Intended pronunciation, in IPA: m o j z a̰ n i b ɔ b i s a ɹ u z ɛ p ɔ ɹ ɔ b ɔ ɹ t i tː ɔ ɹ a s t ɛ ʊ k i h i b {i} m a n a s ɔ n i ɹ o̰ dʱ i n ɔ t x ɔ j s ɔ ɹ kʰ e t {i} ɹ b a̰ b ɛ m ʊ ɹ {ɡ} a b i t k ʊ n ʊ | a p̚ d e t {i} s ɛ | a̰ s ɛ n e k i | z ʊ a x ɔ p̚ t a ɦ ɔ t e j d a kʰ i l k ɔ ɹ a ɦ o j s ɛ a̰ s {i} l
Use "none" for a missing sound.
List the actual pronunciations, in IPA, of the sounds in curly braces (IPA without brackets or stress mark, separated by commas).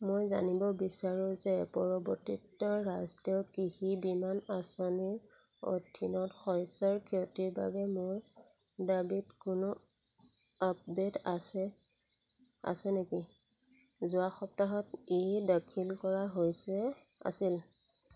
i, i, d, a, i